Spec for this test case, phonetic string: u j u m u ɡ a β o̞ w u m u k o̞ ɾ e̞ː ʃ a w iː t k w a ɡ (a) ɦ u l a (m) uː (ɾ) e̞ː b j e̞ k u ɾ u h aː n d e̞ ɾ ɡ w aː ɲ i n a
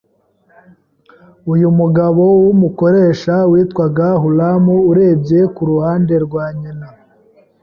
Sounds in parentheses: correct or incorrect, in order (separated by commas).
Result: correct, correct, correct